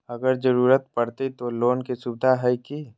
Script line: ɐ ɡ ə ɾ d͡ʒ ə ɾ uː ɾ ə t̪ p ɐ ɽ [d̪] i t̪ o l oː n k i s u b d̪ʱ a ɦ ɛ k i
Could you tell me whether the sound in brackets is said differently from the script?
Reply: yes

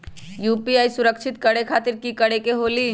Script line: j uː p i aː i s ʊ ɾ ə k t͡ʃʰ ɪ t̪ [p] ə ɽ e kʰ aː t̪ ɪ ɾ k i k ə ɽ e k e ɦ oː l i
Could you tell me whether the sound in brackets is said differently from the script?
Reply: yes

